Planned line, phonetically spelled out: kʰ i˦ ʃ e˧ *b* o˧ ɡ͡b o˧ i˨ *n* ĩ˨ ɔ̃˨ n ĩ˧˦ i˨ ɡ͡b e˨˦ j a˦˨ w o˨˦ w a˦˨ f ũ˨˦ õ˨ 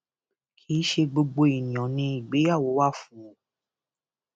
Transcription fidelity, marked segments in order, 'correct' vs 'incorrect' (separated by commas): incorrect, correct